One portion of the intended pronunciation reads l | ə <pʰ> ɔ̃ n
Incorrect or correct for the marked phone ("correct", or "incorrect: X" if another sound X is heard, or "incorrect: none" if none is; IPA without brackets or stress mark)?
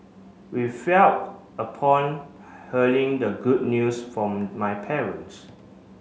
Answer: correct